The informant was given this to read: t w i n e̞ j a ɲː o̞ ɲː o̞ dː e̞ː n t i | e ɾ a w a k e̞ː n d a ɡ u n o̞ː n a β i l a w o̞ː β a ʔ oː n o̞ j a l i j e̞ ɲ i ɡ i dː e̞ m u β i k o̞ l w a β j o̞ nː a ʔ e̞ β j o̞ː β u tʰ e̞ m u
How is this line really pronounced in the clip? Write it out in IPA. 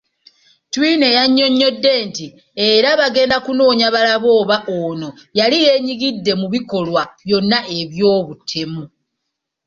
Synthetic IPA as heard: t w i n e̞ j a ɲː o̞ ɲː o̞ dː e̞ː n t i | e ɾ a β a ɡ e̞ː n d a k u n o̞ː ɲ a β a l a β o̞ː β a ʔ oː n o̞ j a l i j e̞ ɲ i ɡ i dː e̞ m u β i k o̞ l w a β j o̞ nː a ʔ e̞ β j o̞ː β u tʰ e̞ m u